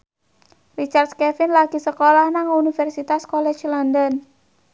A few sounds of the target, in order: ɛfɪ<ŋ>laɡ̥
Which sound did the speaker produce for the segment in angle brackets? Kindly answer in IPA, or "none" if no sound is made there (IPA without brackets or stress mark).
n